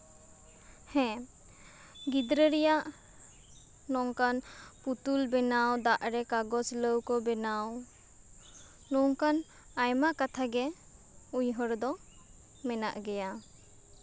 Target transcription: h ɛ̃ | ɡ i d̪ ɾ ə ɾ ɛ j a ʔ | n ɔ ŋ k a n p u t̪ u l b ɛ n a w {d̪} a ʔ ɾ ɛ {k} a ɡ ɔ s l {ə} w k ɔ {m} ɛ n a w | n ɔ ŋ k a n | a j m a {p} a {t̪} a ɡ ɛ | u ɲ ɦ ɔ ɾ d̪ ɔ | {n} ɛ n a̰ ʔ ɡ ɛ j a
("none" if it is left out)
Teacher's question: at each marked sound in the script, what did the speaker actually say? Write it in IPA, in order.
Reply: d̪, k, ə, b, k, t̪ʰ, m

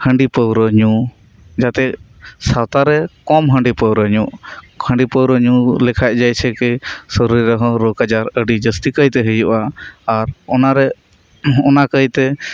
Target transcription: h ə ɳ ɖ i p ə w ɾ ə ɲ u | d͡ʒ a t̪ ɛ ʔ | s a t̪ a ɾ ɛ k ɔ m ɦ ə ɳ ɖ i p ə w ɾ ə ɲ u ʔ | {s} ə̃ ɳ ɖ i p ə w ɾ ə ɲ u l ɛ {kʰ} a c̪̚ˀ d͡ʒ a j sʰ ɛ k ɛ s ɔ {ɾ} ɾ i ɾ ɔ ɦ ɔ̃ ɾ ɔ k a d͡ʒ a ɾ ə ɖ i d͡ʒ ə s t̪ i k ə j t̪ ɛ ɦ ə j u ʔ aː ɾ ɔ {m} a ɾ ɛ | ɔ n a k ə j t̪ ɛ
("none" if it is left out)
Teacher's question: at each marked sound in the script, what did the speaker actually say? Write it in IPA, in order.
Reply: h, kʰ, ɾ, n

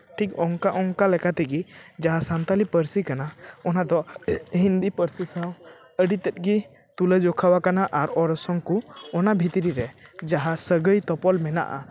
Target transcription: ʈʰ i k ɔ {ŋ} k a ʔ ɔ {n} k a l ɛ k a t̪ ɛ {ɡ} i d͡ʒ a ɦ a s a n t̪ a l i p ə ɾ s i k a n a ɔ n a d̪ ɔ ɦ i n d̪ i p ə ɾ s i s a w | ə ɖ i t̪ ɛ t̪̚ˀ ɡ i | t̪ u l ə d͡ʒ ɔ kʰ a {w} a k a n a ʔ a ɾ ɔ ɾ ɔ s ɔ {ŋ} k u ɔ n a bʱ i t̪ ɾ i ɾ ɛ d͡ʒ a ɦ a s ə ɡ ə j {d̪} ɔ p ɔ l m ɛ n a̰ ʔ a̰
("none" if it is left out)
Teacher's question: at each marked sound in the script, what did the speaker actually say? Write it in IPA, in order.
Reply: ŋ, ŋ, ɡ, w, ŋ, t̪

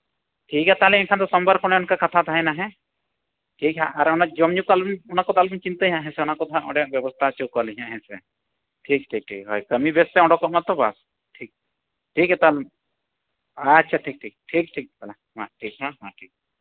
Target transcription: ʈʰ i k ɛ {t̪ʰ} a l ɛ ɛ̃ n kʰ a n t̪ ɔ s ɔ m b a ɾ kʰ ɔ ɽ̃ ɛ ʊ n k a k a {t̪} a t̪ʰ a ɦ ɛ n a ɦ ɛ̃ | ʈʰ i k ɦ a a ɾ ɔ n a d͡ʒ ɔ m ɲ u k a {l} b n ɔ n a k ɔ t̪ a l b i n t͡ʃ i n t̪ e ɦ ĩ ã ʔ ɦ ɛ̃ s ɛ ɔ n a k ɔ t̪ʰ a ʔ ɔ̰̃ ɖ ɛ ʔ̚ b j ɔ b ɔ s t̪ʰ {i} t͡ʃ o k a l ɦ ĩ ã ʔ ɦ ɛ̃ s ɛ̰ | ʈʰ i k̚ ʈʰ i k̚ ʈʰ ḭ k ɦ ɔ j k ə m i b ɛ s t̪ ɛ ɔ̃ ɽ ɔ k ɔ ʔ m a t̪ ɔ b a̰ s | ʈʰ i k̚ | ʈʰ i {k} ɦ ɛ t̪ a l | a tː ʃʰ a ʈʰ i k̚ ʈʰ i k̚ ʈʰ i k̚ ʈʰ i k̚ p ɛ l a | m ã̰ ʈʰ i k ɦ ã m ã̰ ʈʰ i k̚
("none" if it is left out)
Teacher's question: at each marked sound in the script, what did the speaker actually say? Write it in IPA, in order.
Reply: t̪, t̪ʰ, l, a, k

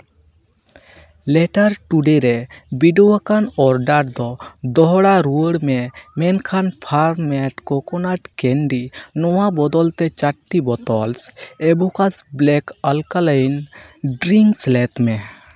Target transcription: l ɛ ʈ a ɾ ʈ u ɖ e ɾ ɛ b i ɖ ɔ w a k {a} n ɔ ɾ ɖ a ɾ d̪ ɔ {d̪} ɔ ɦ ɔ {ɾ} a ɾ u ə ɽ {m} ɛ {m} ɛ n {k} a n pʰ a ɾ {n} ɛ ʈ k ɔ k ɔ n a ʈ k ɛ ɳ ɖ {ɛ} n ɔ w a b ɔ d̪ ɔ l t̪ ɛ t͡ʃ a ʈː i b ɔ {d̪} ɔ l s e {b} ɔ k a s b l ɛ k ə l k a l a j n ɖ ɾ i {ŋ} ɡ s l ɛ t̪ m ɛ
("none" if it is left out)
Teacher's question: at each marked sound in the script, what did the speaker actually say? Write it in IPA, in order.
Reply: a, d̪, ɽ, m, m, kʰ, m, i, t̪, b, ŋ

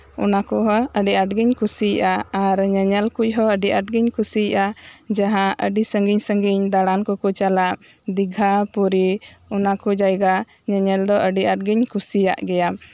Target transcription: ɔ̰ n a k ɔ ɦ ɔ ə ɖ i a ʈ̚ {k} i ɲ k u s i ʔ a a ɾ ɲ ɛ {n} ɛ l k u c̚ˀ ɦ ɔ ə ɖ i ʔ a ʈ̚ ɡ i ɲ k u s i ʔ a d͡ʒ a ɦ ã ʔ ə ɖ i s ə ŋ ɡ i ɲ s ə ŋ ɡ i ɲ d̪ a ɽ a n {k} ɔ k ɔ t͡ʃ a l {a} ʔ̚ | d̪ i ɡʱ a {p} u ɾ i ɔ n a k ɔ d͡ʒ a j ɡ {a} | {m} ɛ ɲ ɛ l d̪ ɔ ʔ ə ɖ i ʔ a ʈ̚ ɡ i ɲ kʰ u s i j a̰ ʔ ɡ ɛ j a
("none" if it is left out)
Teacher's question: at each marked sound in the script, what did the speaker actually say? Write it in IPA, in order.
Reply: ɡ, ɲ, k, a, p, a, ɲ

